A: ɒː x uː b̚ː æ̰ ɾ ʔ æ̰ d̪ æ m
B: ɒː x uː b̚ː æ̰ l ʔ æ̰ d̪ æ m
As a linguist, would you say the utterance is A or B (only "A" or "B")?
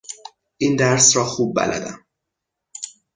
B